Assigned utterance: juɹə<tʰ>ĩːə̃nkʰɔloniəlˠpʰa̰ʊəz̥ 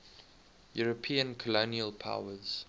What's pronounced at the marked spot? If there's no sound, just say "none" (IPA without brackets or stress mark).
pʰ